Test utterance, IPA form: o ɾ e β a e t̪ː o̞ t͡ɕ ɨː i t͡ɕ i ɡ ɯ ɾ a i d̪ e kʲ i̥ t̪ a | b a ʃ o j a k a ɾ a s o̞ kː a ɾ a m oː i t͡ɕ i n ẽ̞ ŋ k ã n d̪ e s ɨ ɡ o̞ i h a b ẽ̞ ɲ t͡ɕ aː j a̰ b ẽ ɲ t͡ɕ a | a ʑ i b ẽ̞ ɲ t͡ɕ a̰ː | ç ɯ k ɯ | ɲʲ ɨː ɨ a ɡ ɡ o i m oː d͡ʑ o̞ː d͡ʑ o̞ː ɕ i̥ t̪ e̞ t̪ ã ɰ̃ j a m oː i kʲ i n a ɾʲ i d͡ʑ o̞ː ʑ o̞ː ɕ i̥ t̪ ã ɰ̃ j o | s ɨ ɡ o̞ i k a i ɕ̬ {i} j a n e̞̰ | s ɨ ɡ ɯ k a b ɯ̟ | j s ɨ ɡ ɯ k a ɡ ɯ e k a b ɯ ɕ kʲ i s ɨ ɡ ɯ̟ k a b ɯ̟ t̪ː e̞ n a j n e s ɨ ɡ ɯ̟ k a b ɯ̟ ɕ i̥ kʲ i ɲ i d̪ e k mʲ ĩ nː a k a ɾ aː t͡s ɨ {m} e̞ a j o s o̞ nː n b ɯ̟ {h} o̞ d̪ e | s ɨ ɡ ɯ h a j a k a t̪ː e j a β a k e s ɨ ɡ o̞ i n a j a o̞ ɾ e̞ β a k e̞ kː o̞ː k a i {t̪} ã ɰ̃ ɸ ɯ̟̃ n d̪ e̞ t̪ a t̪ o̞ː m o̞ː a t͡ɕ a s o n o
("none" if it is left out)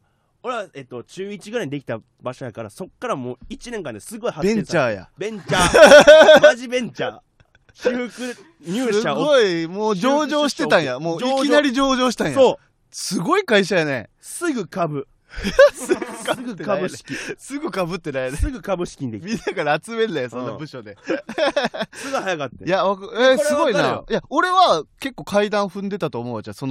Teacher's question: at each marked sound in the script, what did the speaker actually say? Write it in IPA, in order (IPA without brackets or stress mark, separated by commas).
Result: a, m, ɕ, d̪